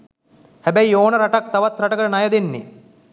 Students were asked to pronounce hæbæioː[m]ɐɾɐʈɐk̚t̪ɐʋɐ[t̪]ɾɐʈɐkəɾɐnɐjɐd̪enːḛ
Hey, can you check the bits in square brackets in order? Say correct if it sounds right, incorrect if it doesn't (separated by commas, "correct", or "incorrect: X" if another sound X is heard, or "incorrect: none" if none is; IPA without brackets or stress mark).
incorrect: n, correct